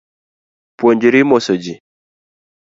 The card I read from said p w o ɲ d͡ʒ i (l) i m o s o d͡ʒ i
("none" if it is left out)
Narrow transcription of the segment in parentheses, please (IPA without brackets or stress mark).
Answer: ɾ